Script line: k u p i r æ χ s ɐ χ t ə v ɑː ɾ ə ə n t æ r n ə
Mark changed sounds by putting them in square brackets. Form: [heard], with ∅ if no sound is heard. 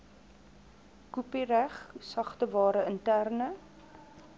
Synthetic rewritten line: k u p i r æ χ s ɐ χ t ə v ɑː ɾ ə ə n t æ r n ə